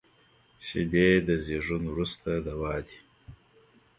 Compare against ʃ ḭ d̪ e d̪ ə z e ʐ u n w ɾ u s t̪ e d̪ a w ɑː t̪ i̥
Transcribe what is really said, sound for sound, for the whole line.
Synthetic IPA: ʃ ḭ d̪ e d̪ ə z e ʐ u n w ɾ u s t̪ a d̪ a w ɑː d̪ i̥